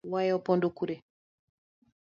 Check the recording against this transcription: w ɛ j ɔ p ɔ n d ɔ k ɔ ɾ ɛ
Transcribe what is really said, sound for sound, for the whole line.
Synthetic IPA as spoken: w a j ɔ p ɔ n d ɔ k u ɾ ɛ